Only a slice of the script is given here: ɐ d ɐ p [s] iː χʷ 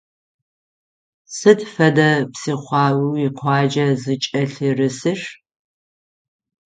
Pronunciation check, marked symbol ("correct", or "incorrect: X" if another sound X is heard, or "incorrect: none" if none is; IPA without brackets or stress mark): correct